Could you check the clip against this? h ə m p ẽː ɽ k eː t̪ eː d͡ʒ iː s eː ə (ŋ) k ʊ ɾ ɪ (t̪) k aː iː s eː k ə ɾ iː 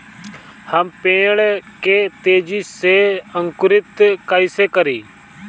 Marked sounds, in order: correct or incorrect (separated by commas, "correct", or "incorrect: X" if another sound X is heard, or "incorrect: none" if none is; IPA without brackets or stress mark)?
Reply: correct, correct